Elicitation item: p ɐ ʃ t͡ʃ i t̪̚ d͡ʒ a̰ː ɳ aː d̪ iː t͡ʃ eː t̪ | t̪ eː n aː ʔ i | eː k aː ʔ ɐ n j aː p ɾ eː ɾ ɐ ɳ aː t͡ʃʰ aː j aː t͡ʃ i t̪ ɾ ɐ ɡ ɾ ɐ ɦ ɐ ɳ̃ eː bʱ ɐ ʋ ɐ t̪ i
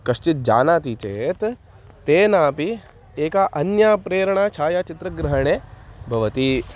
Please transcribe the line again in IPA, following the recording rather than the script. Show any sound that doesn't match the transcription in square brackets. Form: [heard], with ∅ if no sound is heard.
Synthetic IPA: [k] ɐ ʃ t͡ʃ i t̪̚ d͡ʒ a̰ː [n] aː [t̪] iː t͡ʃ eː t̪ | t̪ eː n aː [p] i | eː k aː ʔ ɐ n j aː p ɾ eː ɾ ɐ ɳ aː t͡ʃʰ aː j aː t͡ʃ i t̪ ɾ ɐ ɡ ɾ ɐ ɦ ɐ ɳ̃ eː bʱ ɐ ʋ ɐ t̪ i